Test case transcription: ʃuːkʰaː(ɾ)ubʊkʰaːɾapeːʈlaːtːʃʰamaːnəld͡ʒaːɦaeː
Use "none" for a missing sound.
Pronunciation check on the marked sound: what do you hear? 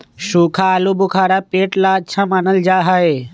l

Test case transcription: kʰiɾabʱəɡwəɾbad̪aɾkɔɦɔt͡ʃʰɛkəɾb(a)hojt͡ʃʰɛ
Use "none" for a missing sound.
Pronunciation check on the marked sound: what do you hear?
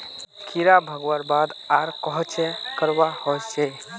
a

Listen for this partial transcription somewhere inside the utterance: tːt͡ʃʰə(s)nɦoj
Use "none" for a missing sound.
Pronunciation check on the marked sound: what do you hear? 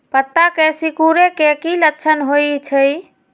none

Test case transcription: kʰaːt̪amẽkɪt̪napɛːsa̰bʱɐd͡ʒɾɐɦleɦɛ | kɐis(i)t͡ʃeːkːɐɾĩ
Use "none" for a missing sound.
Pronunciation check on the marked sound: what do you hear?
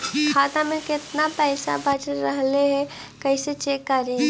e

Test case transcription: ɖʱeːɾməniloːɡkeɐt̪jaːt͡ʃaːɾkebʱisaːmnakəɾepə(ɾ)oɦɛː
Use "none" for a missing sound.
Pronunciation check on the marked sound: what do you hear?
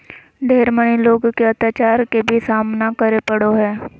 ɽ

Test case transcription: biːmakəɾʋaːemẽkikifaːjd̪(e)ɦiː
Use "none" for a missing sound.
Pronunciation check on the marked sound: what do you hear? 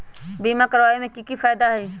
a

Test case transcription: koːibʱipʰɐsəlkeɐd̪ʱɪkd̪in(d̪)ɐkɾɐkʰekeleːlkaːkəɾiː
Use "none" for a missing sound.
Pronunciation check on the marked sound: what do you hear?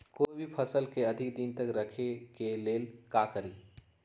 t̪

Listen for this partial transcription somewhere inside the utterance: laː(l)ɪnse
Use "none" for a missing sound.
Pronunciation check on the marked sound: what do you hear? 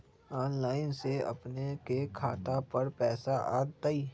none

